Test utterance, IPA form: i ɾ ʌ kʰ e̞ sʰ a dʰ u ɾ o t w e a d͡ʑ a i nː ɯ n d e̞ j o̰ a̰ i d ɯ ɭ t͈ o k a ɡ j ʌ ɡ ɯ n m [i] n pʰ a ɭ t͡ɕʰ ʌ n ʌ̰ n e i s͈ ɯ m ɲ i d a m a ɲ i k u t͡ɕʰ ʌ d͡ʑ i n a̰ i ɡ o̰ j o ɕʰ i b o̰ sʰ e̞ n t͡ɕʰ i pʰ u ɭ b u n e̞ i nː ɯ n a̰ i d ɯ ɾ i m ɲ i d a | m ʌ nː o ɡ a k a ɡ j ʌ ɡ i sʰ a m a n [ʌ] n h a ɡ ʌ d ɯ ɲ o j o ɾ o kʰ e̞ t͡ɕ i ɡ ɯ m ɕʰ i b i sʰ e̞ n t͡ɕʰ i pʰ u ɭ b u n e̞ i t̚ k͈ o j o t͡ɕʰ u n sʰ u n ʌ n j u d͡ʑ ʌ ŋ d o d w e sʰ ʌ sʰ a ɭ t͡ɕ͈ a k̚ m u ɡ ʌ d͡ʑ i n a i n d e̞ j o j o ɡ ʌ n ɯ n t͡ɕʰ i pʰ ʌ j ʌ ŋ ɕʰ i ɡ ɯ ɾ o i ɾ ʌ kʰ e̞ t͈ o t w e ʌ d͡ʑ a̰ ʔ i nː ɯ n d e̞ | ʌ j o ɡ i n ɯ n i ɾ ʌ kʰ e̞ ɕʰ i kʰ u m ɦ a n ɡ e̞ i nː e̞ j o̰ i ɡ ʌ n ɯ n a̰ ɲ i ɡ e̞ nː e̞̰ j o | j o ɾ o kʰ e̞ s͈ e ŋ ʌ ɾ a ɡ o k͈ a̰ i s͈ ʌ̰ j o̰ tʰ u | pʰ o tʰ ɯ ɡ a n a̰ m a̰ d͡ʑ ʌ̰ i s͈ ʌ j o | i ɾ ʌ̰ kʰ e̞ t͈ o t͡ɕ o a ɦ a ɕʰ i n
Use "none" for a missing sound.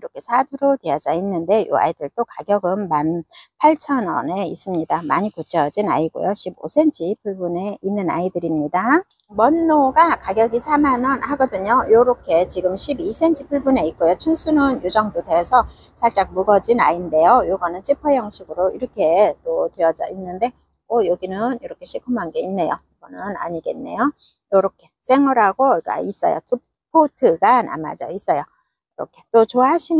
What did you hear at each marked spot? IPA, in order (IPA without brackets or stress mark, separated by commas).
a, ʌ